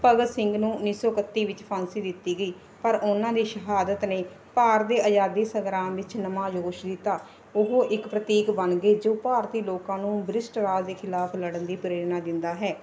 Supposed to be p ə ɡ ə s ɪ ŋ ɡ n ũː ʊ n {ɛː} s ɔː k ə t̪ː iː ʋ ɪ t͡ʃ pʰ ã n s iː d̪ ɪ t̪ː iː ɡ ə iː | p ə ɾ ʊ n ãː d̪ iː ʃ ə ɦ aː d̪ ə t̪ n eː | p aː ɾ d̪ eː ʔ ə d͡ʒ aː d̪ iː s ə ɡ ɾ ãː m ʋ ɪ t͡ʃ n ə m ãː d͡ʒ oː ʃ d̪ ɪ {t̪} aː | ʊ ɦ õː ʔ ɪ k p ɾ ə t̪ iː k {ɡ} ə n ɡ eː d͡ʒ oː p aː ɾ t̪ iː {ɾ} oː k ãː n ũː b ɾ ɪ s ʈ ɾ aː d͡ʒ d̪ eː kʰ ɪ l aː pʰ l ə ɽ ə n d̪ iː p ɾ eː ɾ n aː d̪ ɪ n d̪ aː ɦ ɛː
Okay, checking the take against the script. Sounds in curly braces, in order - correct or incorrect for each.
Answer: incorrect: iː, correct, incorrect: b, incorrect: l

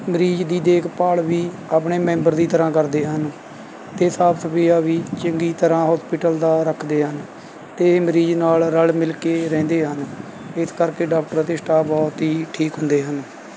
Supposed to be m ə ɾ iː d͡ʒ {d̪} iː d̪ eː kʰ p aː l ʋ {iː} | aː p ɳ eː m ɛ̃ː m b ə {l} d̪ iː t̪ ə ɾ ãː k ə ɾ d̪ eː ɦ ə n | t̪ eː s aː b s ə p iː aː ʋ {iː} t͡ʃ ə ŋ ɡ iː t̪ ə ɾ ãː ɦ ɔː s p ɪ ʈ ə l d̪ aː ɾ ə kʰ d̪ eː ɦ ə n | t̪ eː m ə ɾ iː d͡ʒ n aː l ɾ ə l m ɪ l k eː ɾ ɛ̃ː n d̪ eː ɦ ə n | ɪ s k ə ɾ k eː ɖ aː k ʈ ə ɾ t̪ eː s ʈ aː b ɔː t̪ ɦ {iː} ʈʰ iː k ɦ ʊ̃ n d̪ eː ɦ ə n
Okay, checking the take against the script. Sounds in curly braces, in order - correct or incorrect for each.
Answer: correct, correct, incorrect: ɾ, correct, correct

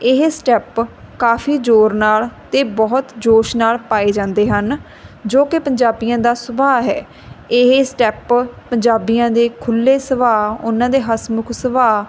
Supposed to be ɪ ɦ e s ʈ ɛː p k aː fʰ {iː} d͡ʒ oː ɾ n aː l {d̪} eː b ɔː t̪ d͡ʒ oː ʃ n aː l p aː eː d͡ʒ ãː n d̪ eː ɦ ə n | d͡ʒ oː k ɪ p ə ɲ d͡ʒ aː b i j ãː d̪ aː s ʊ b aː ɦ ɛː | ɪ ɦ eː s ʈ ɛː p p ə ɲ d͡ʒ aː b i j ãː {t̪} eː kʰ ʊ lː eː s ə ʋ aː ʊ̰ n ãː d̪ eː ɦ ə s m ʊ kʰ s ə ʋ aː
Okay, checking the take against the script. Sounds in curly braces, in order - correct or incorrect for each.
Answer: correct, incorrect: t̪, incorrect: d̪

